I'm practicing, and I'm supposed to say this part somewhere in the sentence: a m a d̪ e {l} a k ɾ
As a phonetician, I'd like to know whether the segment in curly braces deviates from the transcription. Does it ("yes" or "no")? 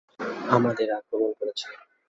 yes